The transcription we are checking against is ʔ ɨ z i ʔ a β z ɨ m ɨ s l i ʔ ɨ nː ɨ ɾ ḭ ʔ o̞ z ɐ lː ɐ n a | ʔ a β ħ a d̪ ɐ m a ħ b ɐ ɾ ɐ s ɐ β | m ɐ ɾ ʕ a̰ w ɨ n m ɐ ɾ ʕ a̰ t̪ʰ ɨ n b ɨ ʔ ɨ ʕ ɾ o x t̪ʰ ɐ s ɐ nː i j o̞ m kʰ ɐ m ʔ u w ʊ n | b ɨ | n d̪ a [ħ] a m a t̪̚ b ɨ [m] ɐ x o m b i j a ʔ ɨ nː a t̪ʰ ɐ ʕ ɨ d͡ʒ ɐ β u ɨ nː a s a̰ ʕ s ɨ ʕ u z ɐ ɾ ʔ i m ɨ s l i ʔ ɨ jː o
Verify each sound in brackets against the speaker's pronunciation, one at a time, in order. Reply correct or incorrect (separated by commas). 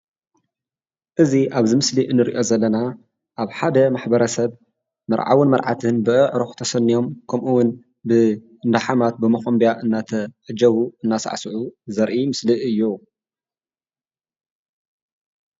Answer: correct, correct